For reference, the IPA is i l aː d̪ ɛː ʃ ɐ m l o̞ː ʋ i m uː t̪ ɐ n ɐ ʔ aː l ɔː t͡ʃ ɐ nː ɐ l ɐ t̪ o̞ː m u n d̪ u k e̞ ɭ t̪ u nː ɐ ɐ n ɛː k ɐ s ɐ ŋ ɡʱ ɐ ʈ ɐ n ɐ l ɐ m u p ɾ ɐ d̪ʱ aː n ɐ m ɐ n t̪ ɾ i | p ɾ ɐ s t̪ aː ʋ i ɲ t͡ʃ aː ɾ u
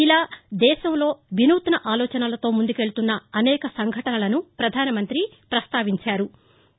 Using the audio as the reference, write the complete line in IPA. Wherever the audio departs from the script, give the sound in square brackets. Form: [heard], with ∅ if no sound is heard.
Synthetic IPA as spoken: i l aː d̪ ɛː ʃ ɐ m l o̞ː ʋ i [n] uː t̪ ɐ n ɐ ʔ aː l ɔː t͡ʃ ɐ [n] ɐ l ɐ t̪ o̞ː m u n d̪ u k e̞ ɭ t̪ u nː ɐ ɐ n ɛː k ɐ s ɐ ŋ ɡʱ ɐ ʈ ɐ n ɐ l ɐ [n] u p ɾ ɐ d̪ʱ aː n ɐ m ɐ n t̪ ɾ i | p ɾ ɐ s t̪ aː ʋ i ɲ t͡ʃ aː ɾ u